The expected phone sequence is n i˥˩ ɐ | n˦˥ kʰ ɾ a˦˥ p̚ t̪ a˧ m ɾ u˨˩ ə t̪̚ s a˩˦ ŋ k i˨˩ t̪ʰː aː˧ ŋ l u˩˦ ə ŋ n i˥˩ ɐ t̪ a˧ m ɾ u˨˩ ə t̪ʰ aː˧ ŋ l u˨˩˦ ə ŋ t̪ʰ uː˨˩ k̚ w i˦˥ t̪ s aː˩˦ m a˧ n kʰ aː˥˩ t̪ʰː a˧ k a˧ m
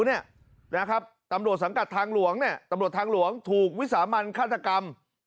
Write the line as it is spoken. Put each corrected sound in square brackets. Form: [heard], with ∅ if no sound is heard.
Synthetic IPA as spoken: n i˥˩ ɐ | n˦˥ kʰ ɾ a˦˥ p̚ t̪ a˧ m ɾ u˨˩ ə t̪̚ s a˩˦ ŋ k [a˨˩] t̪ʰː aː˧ ŋ l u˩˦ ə ŋ n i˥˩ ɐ t̪ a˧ m ɾ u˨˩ ə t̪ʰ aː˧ ŋ l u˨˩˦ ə ŋ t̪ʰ uː˨˩ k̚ w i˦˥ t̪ s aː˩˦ m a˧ n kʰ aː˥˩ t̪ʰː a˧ k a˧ m